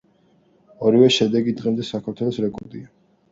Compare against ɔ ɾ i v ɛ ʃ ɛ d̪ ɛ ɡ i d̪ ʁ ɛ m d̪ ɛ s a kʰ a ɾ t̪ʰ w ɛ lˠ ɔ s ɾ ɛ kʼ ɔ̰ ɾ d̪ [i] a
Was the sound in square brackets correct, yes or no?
yes